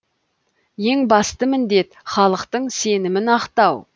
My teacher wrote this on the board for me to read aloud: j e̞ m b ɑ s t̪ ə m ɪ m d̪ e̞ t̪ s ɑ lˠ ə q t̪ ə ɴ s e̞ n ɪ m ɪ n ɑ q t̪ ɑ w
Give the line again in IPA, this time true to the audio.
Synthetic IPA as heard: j e̞ ŋ b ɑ s t̪ ə m ɪ n d̪ e̞ t̪ χ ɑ lˠ ə q t̪ ə ɴ s e̞ n ɪ m ɪ n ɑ q t̪ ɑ w